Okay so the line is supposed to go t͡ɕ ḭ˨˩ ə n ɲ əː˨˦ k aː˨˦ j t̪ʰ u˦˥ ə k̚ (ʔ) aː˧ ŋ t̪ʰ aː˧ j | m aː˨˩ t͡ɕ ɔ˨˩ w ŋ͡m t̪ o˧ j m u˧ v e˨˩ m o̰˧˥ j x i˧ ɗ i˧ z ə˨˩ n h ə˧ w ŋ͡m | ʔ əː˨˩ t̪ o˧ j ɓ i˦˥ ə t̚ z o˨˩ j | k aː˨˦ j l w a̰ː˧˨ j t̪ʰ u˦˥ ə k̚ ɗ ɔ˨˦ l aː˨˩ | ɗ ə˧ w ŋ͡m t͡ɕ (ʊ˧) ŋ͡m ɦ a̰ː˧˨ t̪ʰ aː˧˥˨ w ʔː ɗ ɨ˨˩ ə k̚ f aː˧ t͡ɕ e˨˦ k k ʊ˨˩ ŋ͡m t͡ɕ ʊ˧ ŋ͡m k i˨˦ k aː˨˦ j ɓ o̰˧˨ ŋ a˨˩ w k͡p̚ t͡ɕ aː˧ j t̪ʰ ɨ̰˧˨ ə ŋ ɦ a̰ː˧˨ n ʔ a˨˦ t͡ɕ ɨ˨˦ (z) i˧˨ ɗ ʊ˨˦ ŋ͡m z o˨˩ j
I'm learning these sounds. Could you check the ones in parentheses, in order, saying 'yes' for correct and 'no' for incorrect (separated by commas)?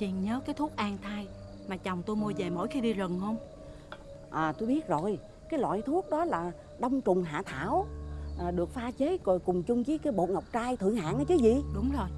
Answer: yes, no, yes